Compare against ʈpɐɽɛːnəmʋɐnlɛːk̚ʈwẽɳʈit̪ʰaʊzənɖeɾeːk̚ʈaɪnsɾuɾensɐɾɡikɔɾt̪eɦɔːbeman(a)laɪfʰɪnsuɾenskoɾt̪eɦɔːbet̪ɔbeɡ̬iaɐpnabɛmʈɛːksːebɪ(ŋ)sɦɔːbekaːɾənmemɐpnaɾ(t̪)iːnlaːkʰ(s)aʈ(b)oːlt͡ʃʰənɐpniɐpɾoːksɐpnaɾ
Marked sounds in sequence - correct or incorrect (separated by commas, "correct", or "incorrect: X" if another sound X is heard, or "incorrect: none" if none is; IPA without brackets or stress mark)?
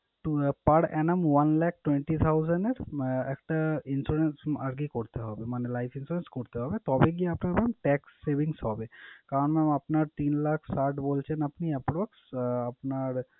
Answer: incorrect: e, correct, correct, correct, correct